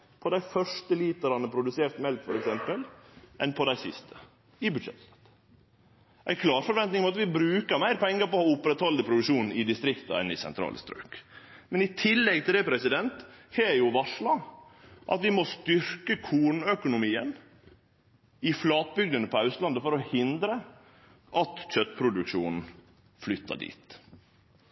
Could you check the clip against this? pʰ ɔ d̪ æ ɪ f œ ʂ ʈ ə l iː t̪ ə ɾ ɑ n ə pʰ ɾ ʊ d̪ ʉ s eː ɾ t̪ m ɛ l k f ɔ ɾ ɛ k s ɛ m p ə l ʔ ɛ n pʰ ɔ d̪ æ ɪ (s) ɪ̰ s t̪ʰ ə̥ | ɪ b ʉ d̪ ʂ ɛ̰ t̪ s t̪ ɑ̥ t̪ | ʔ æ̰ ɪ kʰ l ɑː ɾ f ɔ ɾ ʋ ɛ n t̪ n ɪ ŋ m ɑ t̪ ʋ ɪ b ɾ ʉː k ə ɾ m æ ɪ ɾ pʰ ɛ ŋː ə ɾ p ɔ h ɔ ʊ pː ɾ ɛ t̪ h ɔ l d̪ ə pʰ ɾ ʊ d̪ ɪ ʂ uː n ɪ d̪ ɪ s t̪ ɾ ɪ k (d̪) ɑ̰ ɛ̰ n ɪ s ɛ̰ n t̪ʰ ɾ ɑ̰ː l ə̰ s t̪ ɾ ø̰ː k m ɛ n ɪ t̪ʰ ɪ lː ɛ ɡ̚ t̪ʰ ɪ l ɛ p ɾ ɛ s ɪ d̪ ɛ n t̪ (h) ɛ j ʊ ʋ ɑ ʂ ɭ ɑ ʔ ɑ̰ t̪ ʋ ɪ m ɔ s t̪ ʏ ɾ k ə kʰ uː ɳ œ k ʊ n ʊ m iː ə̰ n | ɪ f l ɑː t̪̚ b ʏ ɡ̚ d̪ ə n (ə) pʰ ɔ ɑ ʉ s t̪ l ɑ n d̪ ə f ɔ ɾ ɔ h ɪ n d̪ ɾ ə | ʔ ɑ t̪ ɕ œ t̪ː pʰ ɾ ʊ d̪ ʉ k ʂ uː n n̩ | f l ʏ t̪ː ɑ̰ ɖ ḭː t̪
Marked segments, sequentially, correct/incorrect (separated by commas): correct, incorrect, correct, correct